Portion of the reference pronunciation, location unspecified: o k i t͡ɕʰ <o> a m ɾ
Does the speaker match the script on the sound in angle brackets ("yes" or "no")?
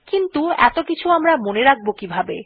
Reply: no